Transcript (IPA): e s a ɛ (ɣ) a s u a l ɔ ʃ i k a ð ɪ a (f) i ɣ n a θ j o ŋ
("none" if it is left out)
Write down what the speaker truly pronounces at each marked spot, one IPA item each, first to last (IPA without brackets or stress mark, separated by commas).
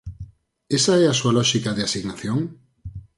none, s